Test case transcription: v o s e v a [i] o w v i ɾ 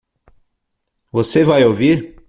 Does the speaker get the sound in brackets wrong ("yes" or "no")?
yes